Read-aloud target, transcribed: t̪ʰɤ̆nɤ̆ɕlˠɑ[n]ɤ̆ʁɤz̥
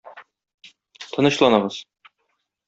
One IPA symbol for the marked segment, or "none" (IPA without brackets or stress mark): n